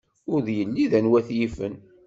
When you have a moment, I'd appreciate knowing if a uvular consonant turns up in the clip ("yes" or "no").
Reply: no